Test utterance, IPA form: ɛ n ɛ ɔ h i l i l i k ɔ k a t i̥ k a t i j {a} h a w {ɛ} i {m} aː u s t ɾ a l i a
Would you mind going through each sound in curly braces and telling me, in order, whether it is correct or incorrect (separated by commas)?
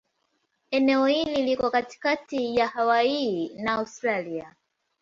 correct, incorrect, incorrect